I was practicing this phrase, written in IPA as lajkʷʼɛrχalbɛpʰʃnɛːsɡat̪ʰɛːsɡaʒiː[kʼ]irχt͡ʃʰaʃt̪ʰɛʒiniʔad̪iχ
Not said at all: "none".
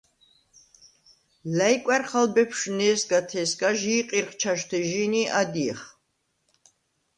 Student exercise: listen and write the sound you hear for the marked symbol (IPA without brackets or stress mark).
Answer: qʼ